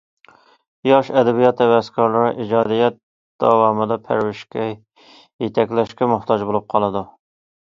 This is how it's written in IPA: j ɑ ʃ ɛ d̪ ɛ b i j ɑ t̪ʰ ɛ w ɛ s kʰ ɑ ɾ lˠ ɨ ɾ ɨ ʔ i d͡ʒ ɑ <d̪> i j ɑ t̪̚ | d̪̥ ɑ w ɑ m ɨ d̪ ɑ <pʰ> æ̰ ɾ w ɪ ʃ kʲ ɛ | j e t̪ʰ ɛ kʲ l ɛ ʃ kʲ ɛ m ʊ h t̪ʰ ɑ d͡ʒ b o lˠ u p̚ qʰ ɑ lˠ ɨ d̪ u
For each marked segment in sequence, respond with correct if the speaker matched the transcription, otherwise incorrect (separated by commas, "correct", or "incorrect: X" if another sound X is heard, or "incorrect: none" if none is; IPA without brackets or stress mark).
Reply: correct, correct